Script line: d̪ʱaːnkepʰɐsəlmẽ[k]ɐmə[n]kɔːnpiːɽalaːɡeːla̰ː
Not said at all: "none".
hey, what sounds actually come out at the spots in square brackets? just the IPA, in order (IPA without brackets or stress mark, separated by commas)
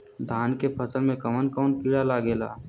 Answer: k, n